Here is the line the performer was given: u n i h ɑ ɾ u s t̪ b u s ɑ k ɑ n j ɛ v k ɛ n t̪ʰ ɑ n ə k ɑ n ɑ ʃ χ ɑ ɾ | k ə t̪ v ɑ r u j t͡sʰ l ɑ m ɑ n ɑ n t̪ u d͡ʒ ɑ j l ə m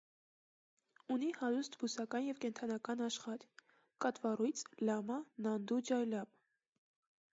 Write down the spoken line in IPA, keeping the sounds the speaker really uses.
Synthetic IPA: u n i h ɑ ɾ u s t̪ b u s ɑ k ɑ n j ɛ v k ɛ n t̪ʰ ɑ n ɑ k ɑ n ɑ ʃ χ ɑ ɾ | k ɑ t̪ v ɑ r u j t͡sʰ l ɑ m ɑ n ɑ n d̪ u d͡ʒ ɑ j l ɑ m